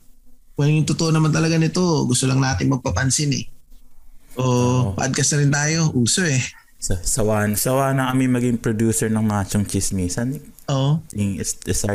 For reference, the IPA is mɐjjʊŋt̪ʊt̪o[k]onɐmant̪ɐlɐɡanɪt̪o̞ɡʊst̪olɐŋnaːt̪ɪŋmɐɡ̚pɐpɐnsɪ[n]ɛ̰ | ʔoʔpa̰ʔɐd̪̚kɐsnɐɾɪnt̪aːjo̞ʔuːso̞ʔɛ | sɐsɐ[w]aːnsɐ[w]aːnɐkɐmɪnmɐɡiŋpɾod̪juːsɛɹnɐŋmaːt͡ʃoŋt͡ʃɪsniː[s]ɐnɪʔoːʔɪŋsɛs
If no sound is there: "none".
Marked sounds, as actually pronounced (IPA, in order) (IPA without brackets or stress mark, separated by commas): ʔ, n, w, w, s